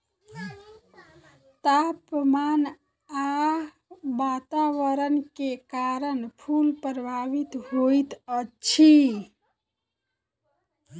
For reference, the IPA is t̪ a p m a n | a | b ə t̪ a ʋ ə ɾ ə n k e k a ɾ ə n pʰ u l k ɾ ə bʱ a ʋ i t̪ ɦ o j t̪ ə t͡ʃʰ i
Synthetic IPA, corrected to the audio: t̪ a p m a n | a | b a t̪ a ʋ ə ɾ ə n k e k a ɾ ə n pʰ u l p ɾ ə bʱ a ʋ i t̪ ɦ o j t̪ ə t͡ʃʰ i